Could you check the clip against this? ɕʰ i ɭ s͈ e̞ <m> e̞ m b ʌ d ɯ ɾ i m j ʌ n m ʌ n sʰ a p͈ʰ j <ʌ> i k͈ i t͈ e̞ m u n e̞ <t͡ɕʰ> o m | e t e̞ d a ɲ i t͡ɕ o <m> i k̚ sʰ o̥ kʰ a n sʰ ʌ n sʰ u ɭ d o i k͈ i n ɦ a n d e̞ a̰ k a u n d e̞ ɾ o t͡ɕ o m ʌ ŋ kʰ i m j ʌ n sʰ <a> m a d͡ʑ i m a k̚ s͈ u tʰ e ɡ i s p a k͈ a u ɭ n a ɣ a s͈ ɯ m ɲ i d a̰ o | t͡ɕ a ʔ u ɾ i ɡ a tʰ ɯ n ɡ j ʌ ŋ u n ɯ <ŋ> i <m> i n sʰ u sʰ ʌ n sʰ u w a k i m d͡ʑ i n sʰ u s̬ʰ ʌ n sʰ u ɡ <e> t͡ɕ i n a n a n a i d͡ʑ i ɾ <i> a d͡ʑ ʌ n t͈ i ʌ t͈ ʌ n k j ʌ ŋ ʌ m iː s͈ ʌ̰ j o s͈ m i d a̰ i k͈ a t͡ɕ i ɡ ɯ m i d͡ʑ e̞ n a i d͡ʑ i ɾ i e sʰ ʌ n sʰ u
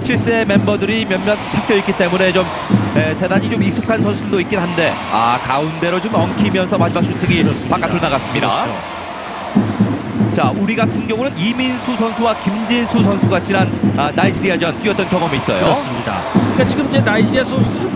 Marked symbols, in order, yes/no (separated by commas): yes, yes, no, yes, no, no, yes, no, yes